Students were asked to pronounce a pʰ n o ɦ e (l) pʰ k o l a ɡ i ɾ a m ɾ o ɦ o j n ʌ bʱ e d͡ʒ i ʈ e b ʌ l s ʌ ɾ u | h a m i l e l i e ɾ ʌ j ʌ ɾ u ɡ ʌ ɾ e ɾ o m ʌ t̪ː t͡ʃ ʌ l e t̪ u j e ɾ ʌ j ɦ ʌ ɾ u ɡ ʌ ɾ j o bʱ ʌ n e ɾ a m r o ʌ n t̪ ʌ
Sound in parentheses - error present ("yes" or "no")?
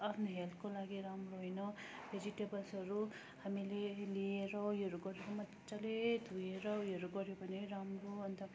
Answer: no